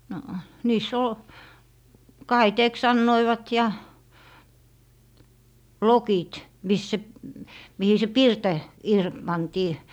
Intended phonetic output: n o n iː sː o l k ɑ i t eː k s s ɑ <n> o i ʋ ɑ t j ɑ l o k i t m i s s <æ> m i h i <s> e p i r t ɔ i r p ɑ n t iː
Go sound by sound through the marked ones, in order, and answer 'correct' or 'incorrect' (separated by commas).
incorrect, incorrect, correct